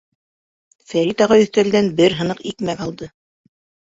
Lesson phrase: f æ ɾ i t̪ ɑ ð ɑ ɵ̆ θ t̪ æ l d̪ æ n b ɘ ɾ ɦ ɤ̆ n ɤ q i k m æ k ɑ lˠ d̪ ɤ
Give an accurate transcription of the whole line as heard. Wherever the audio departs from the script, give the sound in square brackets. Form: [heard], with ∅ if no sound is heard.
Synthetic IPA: f æ ɾ i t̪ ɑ [ʁ] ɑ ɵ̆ θ t̪ æ l d̪ æ n b ɘ ɾ ɦ ɤ̆ n ɤ q i k m æ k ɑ lˠ d̪ ɤ